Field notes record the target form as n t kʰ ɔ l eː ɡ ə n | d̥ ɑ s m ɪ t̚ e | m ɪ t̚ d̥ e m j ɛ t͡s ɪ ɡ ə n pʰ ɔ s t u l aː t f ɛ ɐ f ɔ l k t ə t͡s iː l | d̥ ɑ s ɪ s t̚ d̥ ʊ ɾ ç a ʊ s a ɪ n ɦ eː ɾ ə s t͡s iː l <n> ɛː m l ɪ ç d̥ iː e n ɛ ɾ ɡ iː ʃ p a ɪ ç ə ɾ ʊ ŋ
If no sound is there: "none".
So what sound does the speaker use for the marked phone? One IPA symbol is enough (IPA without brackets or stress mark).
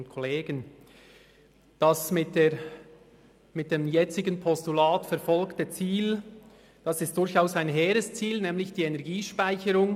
n